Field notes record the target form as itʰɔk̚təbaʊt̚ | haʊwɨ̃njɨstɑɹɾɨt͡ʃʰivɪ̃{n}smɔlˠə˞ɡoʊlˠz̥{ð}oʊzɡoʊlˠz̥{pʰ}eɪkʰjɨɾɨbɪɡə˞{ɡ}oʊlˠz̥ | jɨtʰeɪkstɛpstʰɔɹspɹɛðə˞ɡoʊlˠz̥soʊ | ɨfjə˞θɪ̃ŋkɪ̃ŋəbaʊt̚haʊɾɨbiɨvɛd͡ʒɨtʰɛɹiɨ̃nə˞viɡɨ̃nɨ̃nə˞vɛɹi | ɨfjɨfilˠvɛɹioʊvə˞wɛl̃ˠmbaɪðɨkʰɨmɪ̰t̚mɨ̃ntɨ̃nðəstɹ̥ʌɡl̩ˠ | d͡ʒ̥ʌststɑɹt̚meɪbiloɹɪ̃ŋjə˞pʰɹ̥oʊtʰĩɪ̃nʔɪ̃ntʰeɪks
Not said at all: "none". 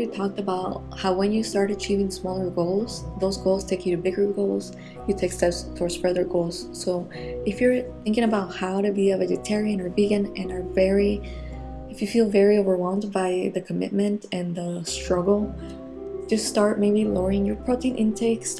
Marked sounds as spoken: ŋ, ð, tʰ, ɡ

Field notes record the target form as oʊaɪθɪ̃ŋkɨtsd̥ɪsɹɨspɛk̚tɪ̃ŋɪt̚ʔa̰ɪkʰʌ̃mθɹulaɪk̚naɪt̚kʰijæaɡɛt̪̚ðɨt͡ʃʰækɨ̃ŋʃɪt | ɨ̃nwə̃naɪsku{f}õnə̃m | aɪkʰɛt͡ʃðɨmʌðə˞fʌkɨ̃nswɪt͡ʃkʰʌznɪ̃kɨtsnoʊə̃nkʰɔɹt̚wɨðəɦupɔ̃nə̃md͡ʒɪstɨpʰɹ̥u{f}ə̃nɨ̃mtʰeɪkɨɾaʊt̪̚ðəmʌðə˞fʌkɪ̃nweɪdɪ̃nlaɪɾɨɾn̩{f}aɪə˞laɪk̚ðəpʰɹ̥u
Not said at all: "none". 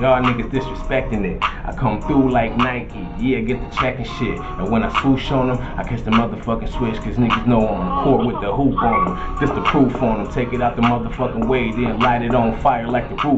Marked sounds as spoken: ʃ, f, f

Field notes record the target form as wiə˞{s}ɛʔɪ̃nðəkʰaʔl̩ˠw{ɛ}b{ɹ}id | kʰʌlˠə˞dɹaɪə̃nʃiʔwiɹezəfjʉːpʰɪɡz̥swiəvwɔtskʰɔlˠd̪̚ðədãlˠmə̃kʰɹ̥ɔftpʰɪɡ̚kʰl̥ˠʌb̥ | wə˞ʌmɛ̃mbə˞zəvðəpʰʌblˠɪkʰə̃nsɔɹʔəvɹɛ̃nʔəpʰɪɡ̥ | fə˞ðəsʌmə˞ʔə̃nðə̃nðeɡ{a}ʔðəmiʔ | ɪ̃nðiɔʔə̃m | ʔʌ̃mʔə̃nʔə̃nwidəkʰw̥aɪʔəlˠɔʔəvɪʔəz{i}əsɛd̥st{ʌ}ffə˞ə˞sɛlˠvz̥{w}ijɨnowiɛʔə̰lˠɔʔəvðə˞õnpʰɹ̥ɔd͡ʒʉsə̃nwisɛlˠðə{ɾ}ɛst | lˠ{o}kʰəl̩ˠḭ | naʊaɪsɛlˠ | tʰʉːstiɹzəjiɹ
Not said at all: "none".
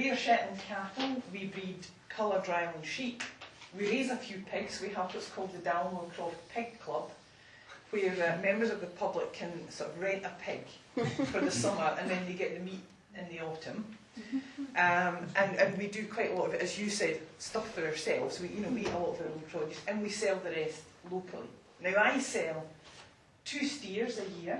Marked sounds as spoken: ʃ, i, ɹ, ɛ, j, ʌ, w, ɹ, o

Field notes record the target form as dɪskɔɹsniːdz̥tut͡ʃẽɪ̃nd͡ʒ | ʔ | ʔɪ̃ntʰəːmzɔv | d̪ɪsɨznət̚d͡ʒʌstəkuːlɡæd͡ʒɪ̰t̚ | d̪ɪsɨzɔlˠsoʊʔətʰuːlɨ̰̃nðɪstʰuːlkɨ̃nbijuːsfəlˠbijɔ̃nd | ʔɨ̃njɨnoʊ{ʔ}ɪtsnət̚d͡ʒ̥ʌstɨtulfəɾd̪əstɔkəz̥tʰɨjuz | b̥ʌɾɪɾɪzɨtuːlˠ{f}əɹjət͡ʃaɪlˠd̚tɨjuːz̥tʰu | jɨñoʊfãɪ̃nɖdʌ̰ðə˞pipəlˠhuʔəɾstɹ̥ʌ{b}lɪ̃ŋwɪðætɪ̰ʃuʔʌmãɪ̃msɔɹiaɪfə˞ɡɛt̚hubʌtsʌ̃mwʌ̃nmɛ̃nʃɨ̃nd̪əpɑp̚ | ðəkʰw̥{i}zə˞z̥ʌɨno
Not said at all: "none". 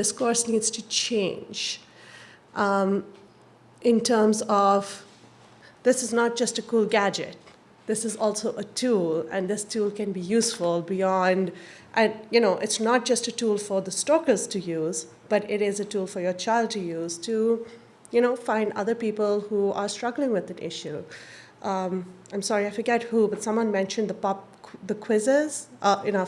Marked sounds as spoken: ʔ, f, ɡ, ɪ

